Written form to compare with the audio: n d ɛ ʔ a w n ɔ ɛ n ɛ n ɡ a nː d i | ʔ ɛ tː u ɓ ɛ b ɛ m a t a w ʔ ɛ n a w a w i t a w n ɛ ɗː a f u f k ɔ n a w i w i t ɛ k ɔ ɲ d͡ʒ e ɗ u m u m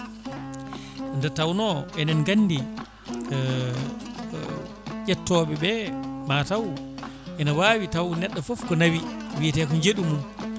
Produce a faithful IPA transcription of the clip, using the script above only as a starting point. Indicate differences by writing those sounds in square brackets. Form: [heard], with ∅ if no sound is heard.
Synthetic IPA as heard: n d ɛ [t] a w n ɔ ɛ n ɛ n ɡ a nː d i | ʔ ɛ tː [ɔ] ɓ ɛ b ɛ m a t a w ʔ ɛ n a w a w i t a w n ɛ ɗː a f [ɔ] f k ɔ n a w i w i t ɛ k ɔ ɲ d͡ʒ e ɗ u m u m